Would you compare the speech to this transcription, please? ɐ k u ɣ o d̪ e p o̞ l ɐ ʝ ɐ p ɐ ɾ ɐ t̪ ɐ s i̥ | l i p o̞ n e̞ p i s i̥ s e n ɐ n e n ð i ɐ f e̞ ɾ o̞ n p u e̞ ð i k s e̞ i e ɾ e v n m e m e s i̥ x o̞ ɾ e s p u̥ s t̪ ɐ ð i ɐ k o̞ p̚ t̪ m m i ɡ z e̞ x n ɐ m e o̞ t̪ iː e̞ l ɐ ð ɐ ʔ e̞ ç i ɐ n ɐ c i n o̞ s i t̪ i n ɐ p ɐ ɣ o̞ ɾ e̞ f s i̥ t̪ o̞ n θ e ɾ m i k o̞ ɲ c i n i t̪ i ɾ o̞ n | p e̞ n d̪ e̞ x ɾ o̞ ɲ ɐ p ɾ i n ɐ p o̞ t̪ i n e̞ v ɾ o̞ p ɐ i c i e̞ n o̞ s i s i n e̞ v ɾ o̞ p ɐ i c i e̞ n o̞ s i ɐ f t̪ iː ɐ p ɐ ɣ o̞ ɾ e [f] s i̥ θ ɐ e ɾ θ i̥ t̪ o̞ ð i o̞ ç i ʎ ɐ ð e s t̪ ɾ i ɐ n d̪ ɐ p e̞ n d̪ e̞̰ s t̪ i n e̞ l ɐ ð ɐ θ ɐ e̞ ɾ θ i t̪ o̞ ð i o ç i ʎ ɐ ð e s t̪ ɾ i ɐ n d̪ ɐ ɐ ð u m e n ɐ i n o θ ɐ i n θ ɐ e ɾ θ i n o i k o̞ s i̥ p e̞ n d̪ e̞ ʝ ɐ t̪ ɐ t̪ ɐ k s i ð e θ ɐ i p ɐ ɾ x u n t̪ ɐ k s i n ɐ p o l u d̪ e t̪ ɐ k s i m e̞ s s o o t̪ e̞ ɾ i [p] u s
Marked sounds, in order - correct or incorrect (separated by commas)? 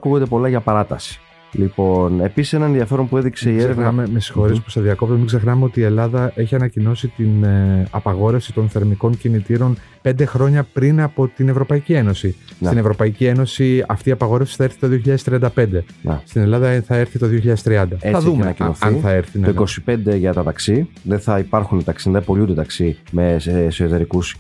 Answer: correct, incorrect